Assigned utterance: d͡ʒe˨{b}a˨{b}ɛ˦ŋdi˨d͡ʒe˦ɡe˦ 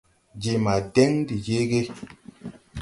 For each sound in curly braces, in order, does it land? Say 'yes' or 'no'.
no, no

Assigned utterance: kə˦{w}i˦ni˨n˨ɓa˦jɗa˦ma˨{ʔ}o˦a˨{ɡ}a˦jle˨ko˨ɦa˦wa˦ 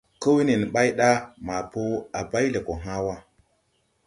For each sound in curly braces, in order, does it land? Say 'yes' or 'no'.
yes, no, no

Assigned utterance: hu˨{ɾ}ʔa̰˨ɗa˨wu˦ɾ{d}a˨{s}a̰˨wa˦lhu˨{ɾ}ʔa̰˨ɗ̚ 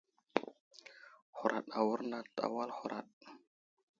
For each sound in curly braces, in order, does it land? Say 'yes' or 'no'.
yes, no, no, yes

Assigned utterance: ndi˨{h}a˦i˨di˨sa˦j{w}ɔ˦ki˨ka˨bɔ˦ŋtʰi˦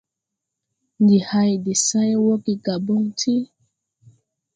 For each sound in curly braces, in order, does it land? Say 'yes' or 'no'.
yes, yes

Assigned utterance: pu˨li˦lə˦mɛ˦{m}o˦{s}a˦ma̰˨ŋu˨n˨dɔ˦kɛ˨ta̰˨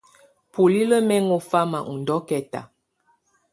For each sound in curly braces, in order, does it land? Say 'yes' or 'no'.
no, no

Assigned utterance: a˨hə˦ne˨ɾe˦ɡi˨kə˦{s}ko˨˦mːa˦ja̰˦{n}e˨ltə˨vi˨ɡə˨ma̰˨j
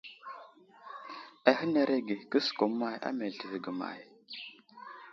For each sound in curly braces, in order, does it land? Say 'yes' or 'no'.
yes, no

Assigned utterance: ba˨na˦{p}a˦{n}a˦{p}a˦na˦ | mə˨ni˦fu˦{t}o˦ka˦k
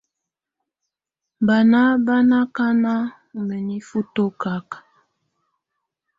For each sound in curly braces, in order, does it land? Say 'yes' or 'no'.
no, yes, no, yes

